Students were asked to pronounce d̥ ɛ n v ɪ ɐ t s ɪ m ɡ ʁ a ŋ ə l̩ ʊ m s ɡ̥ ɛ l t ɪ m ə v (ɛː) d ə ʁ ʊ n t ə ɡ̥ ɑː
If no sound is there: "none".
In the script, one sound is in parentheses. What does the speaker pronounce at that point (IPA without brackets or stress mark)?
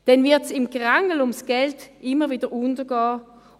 iː